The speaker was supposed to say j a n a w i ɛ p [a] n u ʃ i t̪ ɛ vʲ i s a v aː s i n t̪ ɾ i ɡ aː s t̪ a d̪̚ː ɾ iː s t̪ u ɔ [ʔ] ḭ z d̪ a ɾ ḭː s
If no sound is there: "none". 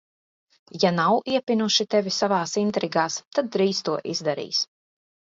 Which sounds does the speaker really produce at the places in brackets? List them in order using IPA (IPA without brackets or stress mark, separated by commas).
i, ʔ